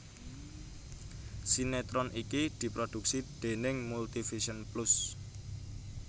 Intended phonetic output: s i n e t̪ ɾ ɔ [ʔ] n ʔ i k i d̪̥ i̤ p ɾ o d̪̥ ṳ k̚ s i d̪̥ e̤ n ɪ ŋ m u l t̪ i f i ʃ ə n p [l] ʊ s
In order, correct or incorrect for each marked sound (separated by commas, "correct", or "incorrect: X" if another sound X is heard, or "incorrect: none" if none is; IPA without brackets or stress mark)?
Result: incorrect: none, correct